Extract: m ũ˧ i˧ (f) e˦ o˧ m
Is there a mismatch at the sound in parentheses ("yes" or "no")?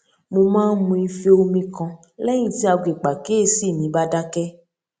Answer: no